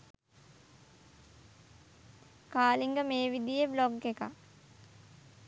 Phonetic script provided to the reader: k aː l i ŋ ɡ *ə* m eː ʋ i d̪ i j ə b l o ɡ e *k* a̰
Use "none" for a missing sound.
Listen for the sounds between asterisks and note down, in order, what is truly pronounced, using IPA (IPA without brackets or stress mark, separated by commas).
ə, k